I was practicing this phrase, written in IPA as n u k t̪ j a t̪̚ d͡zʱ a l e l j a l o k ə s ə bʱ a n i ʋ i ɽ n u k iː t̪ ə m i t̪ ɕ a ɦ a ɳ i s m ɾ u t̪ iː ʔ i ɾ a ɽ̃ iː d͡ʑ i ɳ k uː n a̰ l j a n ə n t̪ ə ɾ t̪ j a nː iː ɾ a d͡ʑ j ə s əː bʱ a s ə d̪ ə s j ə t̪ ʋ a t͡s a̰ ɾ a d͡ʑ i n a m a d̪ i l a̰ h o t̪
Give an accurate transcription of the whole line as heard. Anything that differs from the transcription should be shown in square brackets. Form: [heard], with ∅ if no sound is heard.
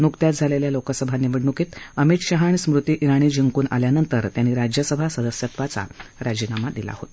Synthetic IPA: n u k t̪ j a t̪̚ d͡zʱ a l e l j a l o k ə s ə bʱ a n i ʋ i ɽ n u k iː t̪ ə m i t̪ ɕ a ɦ a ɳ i s m ɾ u t̪ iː ʔ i ɾ a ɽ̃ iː d͡ʑ i [ŋ] k uː n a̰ l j a n ə n t̪ ə ɾ t̪ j a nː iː ɾ a d͡ʑ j ə s [ə] bʱ a s ə d̪ ə s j ə t̪ ʋ a t͡s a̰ ɾ a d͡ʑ i n a m a d̪ i l a̰ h o t̪